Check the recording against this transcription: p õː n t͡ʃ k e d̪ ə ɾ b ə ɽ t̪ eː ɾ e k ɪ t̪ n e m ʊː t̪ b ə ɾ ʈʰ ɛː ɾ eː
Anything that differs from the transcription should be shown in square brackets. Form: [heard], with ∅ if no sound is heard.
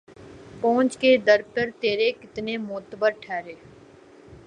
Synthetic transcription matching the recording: p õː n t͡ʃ k e d̪ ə ɾ [p] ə [ɾ] t̪ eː ɾ e k ɪ t̪ n e m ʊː t̪ b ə ɾ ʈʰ ɛː ɾ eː